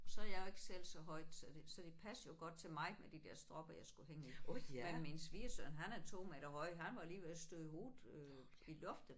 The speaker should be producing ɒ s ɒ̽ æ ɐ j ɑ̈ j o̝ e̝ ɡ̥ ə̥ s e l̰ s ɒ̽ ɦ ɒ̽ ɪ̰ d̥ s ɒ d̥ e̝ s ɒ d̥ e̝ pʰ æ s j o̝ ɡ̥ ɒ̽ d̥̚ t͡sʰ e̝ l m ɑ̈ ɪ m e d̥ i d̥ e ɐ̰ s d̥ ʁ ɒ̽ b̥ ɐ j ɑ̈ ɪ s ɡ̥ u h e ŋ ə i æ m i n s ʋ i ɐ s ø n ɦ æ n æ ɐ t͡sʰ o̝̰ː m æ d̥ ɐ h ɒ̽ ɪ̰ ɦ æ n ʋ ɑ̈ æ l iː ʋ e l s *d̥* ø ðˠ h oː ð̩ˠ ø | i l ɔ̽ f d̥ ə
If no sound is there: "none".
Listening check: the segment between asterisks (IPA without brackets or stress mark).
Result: d̥